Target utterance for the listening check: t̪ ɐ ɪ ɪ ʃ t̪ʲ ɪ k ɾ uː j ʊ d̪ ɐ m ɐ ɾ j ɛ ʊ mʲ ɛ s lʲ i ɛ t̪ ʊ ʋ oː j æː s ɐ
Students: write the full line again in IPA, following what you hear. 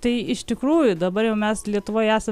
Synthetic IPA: t̪ ɐ ɪ ɪ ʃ t̪ʲ ɪ k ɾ uː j ʊ d̪ ɐ b ɐ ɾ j ɛ ʊ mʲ ɛ s lʲ i ɛ t̪ ʊ ʋ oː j æː s ɐ